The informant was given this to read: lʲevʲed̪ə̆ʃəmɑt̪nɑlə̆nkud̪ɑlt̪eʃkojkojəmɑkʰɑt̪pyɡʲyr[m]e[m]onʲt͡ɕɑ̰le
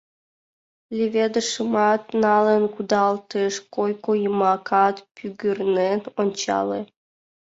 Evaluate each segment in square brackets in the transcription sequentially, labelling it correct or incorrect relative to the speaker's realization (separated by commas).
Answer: incorrect, incorrect